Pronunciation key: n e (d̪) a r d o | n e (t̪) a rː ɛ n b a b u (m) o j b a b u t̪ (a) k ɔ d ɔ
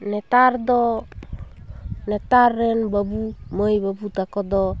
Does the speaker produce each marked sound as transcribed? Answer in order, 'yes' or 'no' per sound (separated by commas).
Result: no, yes, yes, yes